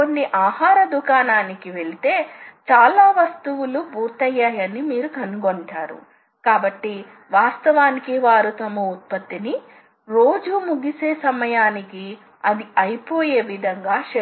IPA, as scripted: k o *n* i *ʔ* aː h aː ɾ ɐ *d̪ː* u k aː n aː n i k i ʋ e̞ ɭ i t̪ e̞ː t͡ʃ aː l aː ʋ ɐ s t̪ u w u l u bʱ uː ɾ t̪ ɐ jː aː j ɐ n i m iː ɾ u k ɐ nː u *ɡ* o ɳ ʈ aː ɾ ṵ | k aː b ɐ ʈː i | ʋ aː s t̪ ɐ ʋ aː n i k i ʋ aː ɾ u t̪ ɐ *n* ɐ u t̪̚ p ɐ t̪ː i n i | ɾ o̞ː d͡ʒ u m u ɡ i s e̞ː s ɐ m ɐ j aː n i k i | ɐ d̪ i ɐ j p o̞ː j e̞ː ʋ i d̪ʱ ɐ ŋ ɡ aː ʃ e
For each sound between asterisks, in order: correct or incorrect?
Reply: incorrect, correct, incorrect, correct, incorrect

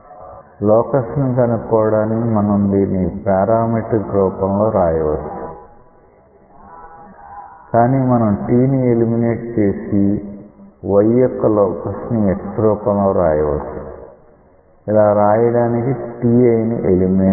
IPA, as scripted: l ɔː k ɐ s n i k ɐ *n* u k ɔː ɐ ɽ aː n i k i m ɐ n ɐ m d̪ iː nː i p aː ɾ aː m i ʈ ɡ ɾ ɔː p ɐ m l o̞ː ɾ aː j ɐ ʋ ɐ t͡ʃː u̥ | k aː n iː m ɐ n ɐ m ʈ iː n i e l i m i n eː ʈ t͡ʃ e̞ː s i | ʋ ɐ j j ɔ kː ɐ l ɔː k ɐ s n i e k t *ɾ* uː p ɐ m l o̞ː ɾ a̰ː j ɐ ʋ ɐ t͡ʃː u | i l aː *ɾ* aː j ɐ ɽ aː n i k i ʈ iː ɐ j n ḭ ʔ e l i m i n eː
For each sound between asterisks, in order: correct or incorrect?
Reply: correct, correct, correct

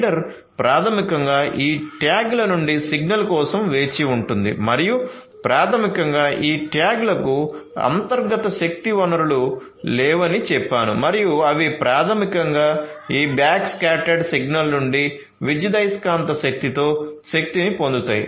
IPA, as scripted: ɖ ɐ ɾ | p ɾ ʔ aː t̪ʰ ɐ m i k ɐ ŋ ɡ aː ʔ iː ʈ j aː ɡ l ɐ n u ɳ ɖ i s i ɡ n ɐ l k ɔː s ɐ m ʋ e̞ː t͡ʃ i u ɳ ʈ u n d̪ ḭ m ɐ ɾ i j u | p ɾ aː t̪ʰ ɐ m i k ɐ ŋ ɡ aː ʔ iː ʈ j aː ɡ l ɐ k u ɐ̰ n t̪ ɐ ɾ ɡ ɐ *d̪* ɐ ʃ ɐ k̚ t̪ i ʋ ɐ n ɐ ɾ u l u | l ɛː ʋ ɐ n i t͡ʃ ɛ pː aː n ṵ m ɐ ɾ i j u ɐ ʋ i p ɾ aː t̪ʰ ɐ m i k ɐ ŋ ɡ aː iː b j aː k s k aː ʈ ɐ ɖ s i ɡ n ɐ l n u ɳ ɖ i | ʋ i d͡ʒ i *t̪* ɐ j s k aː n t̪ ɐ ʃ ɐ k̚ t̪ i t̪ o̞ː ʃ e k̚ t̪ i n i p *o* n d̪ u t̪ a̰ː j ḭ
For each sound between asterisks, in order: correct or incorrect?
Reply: incorrect, incorrect, correct

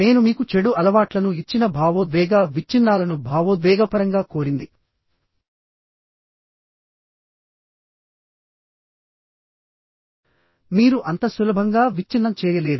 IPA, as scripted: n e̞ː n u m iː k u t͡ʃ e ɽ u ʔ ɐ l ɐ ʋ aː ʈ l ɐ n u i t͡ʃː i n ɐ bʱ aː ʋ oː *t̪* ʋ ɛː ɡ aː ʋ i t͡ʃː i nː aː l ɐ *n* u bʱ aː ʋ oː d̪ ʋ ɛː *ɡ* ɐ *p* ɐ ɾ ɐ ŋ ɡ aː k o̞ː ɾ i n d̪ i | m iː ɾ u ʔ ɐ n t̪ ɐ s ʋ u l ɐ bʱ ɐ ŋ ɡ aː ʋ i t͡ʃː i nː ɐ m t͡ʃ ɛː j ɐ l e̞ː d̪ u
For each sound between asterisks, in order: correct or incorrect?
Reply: incorrect, correct, correct, correct

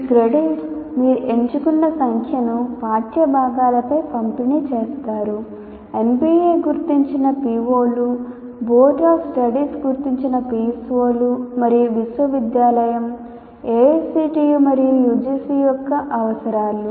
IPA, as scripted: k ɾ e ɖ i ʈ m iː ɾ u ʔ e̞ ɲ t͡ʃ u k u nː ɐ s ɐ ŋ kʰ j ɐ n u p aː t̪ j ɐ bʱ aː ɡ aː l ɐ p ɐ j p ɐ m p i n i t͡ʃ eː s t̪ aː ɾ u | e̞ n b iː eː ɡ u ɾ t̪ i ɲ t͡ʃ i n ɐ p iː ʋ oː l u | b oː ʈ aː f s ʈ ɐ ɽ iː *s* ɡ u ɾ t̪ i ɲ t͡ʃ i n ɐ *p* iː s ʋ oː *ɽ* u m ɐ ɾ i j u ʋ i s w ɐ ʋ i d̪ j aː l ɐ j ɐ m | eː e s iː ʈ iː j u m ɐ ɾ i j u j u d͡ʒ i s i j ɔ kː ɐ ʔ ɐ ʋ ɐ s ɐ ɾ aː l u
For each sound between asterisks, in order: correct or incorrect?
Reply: correct, correct, incorrect

